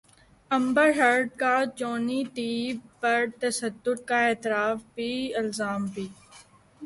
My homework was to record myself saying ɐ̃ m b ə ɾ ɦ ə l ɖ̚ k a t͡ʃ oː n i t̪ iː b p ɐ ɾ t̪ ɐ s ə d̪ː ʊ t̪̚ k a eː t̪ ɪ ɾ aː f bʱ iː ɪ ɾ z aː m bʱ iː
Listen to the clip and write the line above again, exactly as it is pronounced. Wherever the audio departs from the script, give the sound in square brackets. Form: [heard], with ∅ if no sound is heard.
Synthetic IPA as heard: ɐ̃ m b ə ɾ ɦ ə [ɾ] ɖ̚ k a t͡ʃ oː n i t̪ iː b p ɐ ɾ t̪ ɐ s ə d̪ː ʊ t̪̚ k a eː t̪ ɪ ɾ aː f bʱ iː ɪ [l] z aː m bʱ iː